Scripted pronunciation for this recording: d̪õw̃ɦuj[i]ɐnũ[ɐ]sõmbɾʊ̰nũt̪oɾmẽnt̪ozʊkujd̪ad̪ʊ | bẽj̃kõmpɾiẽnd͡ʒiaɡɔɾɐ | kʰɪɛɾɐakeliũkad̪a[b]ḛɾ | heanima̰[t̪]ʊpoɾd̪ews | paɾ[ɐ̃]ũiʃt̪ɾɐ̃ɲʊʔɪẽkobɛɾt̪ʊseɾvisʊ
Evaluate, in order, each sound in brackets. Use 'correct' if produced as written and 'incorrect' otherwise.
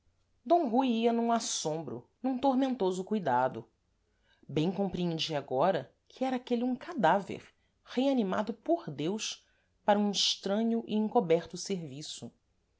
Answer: correct, incorrect: a, incorrect: v, incorrect: d̪, incorrect: ɐ

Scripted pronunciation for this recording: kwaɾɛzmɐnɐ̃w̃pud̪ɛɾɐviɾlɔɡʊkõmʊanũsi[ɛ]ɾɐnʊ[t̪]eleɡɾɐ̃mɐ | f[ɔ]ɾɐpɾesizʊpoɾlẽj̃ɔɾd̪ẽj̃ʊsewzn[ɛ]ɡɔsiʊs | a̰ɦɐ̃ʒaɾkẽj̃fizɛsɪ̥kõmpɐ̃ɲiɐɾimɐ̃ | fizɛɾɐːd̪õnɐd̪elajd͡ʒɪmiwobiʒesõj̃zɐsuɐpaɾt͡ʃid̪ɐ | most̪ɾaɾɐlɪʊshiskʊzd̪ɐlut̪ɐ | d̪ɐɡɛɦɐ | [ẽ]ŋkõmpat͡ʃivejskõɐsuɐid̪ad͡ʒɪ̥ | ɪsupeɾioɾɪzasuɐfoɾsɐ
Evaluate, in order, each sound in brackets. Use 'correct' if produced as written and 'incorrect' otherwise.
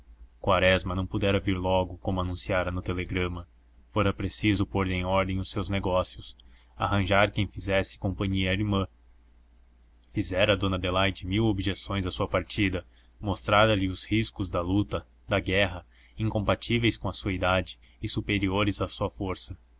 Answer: incorrect: a, correct, incorrect: o, incorrect: e, incorrect: ĩ

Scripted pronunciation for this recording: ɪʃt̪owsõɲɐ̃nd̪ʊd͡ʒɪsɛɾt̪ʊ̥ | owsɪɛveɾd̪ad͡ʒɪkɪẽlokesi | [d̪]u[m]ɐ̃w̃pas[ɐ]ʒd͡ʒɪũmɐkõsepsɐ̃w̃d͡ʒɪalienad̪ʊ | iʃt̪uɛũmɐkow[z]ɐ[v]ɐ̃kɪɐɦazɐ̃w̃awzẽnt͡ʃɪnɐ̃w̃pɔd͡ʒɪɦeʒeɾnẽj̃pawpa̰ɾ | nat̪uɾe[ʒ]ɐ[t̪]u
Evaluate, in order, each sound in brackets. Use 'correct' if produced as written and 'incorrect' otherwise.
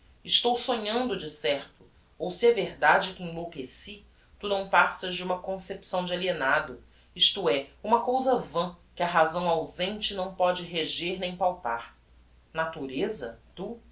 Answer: incorrect: t̪, incorrect: n, correct, correct, correct, incorrect: z, correct

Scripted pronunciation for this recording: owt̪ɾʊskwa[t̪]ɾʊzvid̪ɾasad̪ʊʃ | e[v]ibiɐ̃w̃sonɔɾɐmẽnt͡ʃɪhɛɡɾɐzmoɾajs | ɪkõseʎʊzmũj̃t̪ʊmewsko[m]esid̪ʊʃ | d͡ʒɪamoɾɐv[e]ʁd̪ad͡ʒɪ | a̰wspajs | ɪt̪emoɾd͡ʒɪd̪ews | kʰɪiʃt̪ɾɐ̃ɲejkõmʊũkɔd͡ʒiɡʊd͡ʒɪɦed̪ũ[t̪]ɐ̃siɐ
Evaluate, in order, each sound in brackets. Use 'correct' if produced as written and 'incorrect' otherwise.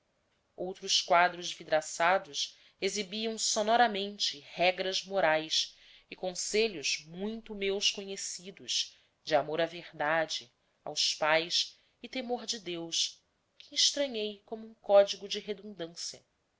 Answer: incorrect: d̪, incorrect: z, incorrect: ɲ, correct, incorrect: d̪

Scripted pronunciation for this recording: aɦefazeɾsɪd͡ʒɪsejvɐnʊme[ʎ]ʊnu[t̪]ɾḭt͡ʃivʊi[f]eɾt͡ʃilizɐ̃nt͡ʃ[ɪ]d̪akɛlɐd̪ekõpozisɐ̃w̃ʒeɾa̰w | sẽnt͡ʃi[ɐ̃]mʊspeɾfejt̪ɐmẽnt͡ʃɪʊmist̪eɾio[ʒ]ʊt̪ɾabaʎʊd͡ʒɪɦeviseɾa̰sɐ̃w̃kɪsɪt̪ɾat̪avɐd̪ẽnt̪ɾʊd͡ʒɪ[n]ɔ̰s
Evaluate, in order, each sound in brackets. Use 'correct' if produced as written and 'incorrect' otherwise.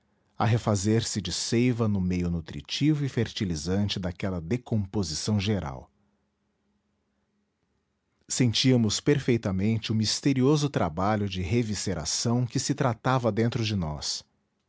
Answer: incorrect: j, correct, correct, correct, incorrect: ɐ, incorrect: z, correct

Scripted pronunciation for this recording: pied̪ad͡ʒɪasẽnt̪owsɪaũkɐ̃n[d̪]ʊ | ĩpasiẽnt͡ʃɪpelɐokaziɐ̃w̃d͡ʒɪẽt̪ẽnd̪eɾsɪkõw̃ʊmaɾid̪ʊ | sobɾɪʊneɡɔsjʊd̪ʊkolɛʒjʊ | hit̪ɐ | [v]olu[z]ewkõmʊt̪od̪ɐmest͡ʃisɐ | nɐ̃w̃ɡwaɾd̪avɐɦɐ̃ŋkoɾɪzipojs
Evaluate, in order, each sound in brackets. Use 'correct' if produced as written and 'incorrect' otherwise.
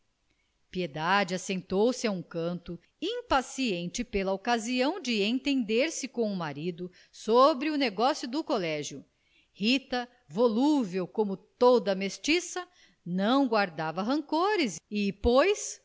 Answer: incorrect: t̪, correct, incorrect: v

